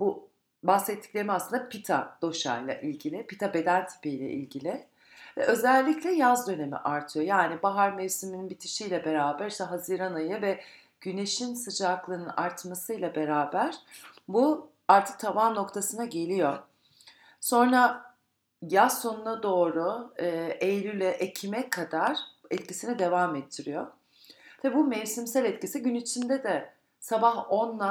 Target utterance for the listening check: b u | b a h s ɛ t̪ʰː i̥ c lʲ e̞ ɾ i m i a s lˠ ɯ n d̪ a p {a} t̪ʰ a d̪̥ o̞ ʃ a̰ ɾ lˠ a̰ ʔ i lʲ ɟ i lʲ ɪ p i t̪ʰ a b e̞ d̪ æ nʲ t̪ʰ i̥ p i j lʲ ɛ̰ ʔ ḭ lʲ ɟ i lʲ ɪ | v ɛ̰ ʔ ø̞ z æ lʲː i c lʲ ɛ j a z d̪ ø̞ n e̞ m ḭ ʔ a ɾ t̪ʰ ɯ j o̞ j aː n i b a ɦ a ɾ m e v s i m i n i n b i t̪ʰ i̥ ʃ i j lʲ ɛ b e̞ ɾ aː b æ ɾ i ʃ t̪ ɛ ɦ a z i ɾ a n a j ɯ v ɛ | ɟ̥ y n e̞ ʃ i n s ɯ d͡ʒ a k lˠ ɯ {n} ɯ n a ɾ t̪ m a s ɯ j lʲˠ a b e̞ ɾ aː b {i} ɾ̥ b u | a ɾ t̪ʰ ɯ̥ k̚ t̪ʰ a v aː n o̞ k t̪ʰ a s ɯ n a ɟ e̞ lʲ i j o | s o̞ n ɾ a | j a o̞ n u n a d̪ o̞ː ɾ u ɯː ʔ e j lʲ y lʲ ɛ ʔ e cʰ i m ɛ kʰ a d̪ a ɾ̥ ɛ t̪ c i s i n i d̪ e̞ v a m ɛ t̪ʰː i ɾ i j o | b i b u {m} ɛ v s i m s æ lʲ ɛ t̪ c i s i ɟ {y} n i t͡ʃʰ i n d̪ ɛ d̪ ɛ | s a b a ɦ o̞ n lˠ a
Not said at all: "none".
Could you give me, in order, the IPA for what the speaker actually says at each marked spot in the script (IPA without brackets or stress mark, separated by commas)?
i, n, æ, m, y